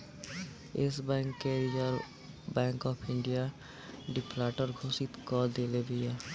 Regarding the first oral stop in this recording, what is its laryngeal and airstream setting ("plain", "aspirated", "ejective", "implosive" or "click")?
plain